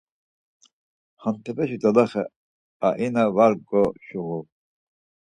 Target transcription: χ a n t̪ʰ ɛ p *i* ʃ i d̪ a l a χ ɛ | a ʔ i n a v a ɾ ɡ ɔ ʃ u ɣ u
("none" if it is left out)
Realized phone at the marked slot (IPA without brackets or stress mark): ɛ